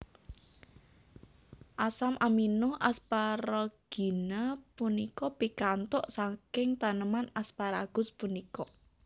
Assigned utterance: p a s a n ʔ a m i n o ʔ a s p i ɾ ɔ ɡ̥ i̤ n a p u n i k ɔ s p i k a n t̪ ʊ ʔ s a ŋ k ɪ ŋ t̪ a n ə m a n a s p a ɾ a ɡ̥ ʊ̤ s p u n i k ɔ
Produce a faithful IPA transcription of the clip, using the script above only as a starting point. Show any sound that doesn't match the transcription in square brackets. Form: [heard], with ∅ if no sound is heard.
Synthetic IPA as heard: [ʔ] a s a [m] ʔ a m i n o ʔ a s p [a] ɾ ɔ ɡ̥ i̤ n a p u n i k ɔ [∅] p i k a n t̪ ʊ ʔ s a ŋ k ɪ ŋ t̪ a n ə m a n a s p a ɾ a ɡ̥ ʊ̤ s p u n i k ɔ